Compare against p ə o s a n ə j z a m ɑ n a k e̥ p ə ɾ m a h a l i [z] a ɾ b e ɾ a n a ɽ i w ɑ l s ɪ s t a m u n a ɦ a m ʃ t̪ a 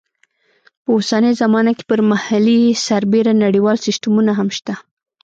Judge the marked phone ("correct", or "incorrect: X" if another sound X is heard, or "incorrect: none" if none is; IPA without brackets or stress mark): incorrect: s